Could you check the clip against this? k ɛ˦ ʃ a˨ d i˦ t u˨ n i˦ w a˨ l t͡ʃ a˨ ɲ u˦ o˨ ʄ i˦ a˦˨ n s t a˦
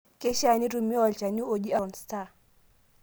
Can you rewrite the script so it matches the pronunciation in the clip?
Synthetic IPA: k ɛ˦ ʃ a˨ n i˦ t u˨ m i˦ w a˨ l t͡ʃ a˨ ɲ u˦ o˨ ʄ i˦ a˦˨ n s t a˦

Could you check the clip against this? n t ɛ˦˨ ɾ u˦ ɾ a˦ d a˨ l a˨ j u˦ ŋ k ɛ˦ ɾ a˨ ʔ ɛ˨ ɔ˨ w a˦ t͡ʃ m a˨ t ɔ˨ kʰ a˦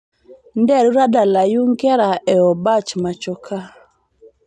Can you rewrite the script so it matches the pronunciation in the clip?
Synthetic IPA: n d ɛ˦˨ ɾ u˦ ɾ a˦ d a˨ l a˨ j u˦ ŋ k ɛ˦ ɾ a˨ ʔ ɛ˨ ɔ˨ b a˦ t͡ʃ m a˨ t͡ʃ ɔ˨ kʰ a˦

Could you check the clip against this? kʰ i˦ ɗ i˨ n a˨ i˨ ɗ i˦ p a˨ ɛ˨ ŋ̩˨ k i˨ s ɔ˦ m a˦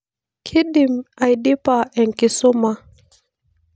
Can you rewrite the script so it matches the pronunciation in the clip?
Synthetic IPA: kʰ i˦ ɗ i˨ m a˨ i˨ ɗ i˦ p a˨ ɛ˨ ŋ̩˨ k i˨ s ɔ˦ m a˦

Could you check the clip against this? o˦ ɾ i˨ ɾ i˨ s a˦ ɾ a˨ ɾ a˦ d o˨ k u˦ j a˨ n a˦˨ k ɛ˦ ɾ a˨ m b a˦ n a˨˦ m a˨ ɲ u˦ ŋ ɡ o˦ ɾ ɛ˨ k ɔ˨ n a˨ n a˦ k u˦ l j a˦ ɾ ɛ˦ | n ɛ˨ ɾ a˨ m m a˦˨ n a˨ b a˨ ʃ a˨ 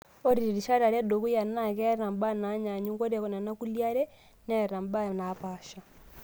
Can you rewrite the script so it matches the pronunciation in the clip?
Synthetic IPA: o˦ ɾ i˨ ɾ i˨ ʃ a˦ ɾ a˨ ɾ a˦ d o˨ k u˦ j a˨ n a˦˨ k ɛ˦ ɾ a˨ m b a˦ n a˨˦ ɲ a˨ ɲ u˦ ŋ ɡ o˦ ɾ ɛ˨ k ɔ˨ n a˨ n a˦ k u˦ l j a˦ ɾ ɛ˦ | n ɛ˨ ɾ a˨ m b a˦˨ n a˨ p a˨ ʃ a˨

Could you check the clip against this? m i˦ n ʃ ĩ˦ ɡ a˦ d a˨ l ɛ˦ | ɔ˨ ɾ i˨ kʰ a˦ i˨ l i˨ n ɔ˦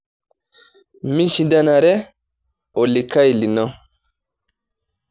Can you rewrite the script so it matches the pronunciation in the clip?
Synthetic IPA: m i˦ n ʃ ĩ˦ d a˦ n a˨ ɾ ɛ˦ | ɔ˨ l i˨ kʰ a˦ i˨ l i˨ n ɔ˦

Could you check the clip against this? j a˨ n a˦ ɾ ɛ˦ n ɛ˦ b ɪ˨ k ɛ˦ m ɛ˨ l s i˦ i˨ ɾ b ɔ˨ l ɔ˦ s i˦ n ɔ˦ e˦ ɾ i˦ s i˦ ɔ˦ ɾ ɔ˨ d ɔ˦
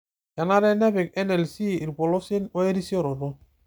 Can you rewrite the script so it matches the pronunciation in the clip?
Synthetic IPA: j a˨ n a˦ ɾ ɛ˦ n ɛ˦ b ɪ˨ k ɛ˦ n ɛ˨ l s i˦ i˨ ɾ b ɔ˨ l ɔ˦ s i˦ n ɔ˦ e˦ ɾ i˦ s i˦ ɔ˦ ɾ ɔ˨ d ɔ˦

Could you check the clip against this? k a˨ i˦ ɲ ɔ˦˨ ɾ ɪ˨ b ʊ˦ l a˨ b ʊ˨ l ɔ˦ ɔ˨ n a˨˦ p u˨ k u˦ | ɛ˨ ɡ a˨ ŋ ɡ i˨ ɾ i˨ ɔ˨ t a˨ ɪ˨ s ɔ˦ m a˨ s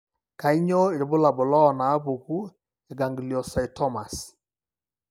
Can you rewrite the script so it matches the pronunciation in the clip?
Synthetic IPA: k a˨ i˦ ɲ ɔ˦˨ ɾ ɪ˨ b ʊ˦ l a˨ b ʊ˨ l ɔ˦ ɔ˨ n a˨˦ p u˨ k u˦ | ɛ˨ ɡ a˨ ŋ ɡ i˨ l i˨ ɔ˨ s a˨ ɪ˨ t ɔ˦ m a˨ s

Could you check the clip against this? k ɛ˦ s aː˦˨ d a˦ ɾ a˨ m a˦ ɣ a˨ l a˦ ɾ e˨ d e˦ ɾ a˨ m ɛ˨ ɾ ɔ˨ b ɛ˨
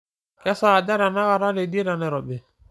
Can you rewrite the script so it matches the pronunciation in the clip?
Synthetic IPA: k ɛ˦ s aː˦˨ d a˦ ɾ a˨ n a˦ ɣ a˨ ɾ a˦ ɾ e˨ d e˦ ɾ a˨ n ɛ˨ ɾ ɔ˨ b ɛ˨

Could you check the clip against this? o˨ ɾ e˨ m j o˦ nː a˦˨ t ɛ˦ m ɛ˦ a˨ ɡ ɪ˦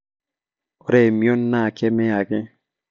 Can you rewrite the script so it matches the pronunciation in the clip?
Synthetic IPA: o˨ ɾ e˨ m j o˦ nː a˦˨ k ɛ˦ m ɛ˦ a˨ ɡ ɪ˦

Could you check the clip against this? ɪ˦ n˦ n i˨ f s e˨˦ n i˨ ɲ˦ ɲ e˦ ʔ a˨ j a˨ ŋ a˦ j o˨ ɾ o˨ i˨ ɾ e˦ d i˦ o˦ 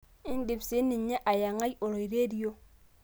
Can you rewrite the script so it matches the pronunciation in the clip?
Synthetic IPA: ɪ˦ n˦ d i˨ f s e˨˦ n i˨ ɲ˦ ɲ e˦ ʔ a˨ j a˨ ŋ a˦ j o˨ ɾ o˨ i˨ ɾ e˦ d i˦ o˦

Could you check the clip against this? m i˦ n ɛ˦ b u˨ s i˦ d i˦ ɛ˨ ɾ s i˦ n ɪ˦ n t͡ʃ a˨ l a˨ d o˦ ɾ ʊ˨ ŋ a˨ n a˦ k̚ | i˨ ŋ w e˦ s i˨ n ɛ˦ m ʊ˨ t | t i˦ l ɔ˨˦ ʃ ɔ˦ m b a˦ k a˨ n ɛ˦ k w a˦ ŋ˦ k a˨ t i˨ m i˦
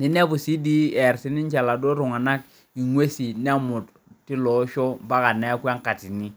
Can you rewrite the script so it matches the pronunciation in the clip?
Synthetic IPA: n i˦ n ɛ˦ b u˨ s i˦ d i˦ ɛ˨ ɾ s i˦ n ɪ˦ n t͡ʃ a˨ l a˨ d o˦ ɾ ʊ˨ ŋ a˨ n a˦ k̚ | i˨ ŋ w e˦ s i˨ n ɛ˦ m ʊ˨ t | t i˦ l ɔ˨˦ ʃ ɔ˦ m b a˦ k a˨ n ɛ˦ k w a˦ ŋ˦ k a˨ t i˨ n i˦

